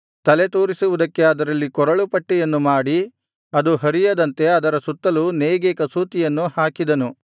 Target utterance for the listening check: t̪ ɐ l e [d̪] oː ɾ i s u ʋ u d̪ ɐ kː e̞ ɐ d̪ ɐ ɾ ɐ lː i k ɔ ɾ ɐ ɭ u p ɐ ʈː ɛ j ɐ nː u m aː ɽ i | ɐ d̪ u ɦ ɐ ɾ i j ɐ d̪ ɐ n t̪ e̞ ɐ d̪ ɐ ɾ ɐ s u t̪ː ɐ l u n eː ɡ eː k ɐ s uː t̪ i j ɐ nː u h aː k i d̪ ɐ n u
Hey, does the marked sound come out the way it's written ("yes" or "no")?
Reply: no